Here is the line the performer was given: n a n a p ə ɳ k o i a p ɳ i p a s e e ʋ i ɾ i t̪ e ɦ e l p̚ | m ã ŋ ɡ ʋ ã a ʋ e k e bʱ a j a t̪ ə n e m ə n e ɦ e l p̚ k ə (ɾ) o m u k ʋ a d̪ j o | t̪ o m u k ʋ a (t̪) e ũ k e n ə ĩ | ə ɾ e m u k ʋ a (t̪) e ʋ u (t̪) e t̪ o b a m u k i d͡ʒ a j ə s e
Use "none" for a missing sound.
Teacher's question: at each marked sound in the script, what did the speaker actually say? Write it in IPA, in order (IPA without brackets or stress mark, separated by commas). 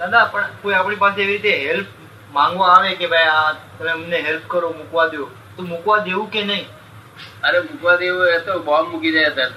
ɾ, d̪, d̪, none